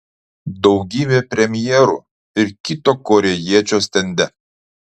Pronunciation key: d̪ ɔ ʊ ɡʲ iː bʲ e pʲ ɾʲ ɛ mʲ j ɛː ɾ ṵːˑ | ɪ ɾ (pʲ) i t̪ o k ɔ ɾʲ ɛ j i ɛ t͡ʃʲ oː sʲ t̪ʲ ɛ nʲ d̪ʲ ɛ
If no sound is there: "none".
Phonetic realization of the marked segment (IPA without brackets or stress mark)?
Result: kʲ